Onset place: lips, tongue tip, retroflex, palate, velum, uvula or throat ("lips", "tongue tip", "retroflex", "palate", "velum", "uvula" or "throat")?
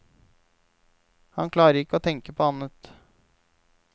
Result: throat